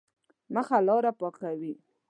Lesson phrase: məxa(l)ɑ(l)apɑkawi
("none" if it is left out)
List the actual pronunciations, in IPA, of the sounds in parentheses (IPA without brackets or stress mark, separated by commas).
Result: l, ɾ